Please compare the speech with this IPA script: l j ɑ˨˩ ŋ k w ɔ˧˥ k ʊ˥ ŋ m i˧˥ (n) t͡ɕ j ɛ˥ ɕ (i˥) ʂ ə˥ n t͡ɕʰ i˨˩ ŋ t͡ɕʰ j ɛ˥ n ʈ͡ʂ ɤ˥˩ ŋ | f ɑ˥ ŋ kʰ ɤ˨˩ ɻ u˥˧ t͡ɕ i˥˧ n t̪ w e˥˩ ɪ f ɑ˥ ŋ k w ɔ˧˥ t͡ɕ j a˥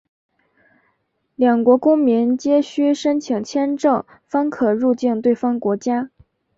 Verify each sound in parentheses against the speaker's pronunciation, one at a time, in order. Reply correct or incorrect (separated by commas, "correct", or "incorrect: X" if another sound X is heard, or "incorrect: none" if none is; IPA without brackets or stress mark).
correct, incorrect: y˥